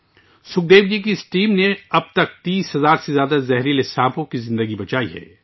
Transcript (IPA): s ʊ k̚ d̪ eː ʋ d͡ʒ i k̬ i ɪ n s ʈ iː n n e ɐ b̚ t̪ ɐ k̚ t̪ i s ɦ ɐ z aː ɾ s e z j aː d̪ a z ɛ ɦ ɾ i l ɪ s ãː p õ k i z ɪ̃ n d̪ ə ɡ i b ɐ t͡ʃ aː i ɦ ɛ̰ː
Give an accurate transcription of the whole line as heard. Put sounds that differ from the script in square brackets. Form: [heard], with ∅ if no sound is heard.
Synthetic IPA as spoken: s ʊ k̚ d̪ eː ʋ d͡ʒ i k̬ i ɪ [∅] s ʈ iː [m] n e ɐ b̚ t̪ ɐ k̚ t̪ [iː] s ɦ ɐ z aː ɾ s e z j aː d̪ a z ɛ ɦ ɾ i l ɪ s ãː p õ k i z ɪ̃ n d̪ ə ɡ i b ɐ t͡ʃ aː i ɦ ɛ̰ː